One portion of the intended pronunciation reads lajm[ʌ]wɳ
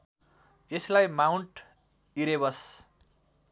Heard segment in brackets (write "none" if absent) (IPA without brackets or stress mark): a